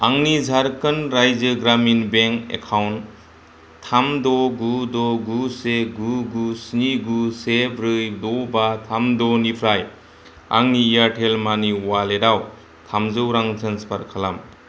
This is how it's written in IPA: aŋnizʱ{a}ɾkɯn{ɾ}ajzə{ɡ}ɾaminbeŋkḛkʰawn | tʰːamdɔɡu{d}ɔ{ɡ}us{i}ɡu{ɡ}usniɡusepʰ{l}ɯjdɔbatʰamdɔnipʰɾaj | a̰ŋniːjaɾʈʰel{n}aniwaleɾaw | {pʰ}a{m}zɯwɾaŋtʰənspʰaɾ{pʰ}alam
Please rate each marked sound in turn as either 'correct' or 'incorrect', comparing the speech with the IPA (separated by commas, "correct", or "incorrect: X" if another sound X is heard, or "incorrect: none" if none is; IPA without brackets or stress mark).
correct, correct, correct, correct, correct, incorrect: e, correct, incorrect: ɾ, incorrect: m, incorrect: tʰ, correct, incorrect: kʰ